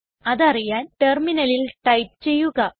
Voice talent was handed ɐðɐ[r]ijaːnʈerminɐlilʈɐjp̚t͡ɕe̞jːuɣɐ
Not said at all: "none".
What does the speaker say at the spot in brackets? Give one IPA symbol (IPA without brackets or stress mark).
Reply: r